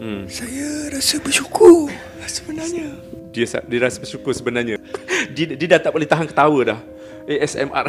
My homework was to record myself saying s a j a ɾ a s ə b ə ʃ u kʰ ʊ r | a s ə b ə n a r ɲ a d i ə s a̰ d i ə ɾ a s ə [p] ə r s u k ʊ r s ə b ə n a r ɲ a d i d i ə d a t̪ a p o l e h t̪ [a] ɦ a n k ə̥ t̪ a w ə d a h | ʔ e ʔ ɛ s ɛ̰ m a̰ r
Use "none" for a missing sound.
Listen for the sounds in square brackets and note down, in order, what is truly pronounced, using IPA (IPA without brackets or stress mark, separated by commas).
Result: b, a